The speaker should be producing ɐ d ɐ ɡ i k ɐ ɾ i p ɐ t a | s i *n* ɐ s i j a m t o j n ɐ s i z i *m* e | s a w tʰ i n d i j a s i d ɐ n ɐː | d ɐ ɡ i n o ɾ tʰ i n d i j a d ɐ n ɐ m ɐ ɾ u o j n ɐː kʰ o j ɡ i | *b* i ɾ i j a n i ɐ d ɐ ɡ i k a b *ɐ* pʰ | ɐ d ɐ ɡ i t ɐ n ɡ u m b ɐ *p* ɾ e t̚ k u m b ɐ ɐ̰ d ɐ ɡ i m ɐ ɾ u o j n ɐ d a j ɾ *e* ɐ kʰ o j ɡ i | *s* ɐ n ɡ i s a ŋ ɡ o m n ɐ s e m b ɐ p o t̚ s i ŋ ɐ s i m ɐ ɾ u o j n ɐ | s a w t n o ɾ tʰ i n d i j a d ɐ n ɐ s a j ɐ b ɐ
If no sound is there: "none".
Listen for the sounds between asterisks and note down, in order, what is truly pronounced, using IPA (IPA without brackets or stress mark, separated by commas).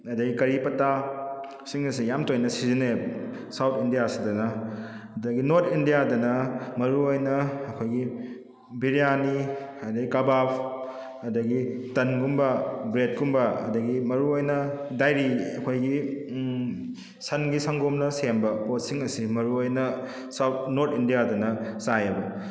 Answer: ŋ, n, b, a, b, i, s